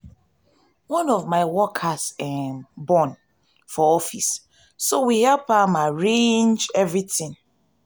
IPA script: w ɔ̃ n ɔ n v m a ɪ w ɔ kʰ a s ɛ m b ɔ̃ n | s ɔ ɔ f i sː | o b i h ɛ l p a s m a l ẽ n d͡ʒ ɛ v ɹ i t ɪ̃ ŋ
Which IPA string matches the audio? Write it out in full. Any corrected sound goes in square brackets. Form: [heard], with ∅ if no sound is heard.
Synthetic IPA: w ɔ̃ n ɔ [∅] v m a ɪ w ɔ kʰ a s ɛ m b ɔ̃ n | [f] ɔ ɔ f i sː | o [w] i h ɛ l p a [∅] m a [ɹ] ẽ n d͡ʒ ɛ v ɹ i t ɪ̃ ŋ